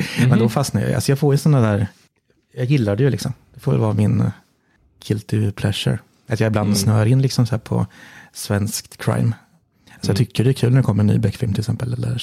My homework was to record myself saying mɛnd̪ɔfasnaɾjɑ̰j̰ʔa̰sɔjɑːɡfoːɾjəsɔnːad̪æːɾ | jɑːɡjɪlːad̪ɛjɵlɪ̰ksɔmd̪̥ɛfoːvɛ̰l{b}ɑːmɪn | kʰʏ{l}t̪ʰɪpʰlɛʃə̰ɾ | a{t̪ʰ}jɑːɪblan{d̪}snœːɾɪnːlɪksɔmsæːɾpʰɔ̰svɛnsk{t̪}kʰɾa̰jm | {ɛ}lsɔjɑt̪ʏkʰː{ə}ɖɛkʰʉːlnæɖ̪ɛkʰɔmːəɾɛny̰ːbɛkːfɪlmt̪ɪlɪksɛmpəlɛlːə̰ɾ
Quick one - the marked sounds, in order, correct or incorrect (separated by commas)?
incorrect, correct, incorrect, correct, correct, incorrect, correct